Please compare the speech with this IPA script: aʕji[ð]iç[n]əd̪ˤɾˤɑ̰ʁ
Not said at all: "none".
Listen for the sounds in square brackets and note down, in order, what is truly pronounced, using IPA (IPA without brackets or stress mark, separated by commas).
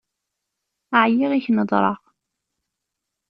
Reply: ʁ, n